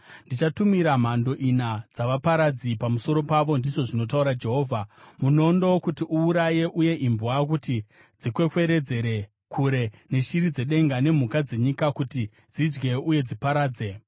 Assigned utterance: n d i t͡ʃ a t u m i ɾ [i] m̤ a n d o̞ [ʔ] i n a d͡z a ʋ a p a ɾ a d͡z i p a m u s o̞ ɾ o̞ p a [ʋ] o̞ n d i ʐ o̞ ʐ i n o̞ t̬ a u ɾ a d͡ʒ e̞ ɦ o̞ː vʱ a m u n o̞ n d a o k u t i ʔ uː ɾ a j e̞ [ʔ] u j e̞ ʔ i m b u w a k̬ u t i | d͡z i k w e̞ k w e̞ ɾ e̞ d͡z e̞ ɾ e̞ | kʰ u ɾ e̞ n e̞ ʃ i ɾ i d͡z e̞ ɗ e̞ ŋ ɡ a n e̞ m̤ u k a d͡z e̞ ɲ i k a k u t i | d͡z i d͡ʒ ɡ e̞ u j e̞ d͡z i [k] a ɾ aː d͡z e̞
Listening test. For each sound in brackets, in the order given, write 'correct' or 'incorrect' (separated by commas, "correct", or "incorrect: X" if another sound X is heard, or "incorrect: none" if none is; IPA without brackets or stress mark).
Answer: incorrect: a, correct, correct, correct, incorrect: p